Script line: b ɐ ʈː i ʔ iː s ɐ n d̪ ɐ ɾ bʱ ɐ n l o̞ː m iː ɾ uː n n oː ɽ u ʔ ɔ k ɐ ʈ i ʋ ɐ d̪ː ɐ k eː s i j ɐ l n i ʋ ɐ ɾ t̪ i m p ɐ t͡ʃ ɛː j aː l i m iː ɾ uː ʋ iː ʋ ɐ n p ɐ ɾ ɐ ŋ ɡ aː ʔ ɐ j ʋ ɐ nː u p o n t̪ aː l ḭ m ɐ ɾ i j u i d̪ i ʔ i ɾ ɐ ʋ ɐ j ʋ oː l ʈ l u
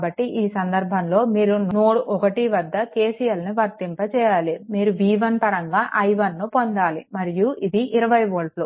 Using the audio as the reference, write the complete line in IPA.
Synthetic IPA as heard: b ɐ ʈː i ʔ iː s ɐ n d̪ ɐ ɾ bʱ ɐ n l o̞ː m iː ɾ u n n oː ɽ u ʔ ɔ k ɐ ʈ i ʋ ɐ d̪ː ɐ k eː s i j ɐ l n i ʋ ɐ ɾ t̪ i m p ɐ t͡ʃ ɛː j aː l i m iː ɾ u ʋ iː ʋ ɐ n p ɐ ɾ ɐ ŋ ɡ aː ʔ ɐ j ʋ ɐ nː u p o n d̪ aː l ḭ m ɐ ɾ i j u i d̪ i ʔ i ɾ ɐ ʋ ɐ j ʋ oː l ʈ l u